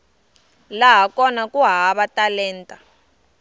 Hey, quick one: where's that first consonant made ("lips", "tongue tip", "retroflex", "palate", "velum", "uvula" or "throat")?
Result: tongue tip